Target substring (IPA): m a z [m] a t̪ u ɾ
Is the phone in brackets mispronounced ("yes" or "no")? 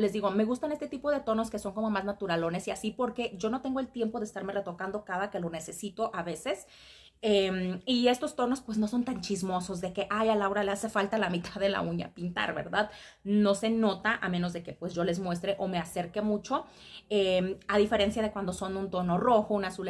yes